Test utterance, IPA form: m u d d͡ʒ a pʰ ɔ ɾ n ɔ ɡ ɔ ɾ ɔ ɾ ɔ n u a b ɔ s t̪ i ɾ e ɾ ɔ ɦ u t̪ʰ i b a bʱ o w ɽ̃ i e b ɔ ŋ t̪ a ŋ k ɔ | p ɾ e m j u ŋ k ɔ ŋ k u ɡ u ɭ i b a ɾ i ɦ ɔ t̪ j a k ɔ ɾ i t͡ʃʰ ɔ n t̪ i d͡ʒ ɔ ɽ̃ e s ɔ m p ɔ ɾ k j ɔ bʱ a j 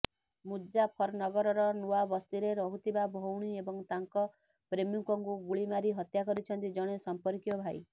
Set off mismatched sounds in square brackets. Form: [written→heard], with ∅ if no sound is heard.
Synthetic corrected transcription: m u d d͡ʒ a pʰ ɔ ɾ n ɔ ɡ ɔ ɾ ɔ ɾ ɔ n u a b ɔ s t̪ i ɾ e ɾ ɔ ɦ u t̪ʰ i b a bʱ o w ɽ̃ i e b ɔ ŋ t̪ a ŋ k ɔ | p ɾ e m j u ŋ k ɔ ŋ k u ɡ u ɭ i [b→m] a ɾ i ɦ ɔ t̪ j a k ɔ ɾ i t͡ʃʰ ɔ n t̪ i d͡ʒ ɔ ɽ̃ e s ɔ m p ɔ ɾ k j ɔ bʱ a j